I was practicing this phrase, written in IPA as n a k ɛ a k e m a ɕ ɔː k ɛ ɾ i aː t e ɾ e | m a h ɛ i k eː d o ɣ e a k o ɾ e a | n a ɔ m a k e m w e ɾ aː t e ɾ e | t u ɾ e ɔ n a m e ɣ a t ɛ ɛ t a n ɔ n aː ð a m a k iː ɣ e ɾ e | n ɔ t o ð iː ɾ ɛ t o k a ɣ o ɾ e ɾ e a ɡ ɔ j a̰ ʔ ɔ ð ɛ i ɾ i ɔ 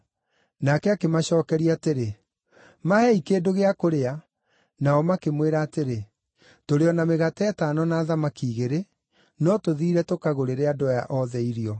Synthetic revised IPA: n a k ɛ a k e m a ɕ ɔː k ɛ ɾ i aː t e ɾ e | m a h ɛ i k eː d o ɣ e a k o ɾ e a | n a ɔ m a k e m w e ɾ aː t e ɾ e | t o ɾ e ɔ n a m e ɣ a t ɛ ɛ t a n ɔ n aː ð a m a k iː ɣ e ɾ e | n ɔ t o ð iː ɾ ɛ t o k a ɣ o ɾ e ɾ e a d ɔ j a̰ ʔ ɔ ð ɛ i ɾ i ɔ